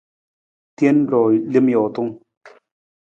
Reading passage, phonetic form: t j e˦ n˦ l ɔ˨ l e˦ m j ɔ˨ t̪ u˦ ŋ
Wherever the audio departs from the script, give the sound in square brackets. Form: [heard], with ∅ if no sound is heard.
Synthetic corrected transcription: t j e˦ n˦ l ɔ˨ l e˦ m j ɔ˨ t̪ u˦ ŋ